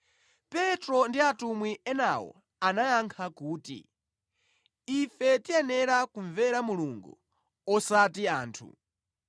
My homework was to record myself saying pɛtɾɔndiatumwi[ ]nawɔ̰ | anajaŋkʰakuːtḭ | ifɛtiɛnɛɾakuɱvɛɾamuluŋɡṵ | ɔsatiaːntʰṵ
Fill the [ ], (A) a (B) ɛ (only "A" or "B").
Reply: B